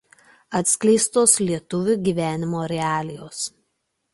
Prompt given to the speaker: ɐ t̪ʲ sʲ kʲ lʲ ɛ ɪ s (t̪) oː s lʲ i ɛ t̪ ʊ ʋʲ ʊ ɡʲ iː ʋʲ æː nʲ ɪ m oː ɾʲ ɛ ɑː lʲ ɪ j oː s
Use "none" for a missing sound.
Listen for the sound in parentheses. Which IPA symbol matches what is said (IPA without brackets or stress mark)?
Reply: t̪